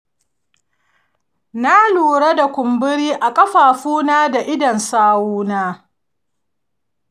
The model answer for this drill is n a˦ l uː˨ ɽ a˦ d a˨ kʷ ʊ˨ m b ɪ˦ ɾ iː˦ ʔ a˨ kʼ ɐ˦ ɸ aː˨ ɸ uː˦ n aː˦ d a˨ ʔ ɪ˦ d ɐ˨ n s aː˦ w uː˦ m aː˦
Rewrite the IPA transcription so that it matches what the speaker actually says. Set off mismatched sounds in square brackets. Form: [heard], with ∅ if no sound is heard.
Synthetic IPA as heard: n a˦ l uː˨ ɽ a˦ d a˨ kʷ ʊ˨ m b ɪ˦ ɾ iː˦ ʔ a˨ kʼ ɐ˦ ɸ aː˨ ɸ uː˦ n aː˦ d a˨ ʔ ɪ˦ d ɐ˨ n s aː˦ w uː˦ [n] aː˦

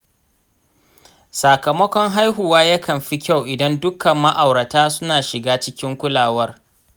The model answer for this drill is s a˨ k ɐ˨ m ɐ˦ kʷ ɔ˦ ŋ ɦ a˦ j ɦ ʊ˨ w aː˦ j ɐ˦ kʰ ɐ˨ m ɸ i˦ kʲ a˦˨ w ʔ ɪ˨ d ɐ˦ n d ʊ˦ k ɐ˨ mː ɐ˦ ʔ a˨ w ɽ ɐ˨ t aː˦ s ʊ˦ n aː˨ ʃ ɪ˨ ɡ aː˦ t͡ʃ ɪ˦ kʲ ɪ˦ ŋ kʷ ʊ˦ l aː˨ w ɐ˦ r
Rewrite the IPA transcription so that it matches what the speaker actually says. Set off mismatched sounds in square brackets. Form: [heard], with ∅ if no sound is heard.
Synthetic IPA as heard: s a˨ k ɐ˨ m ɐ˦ kʷ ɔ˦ ŋ ɦ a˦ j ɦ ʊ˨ w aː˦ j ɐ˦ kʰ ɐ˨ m ɸ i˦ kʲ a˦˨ w ʔ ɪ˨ d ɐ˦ n d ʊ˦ k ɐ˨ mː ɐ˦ ʔ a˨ w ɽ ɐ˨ t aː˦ s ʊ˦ n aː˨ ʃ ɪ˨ ɡ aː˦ t͡ʃ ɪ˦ kʲ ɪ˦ ŋ kʷ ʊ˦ l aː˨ w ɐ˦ r

